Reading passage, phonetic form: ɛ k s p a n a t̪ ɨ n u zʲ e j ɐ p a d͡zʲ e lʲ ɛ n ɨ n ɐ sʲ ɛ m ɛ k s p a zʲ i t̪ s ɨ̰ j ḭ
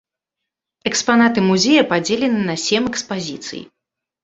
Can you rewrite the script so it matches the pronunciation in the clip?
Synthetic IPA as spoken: ɛ k s p a n a t̪ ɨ m u zʲ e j ɐ p a d͡zʲ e lʲ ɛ n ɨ n ɐ sʲ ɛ m ɛ k s p a zʲ i t̪ s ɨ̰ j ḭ